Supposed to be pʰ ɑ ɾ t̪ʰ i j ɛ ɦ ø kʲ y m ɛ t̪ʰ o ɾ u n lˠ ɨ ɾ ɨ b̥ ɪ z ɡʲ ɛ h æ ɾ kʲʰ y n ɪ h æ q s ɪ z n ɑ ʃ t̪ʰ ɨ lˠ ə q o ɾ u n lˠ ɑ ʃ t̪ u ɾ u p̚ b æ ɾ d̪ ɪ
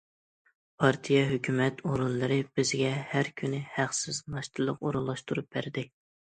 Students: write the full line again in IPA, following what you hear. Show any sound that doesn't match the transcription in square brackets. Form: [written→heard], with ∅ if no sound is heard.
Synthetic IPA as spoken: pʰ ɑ ɾ t̪ʰ i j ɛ ɦ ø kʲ y m ɛ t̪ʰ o ɾ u n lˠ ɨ ɾ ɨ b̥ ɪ z ɡʲ ɛ h æ ɾ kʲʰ y n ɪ h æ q s ɪ z n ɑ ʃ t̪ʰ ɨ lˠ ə q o ɾ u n lˠ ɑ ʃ t̪ u ɾ u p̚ b æ ɾ d̪ ɪ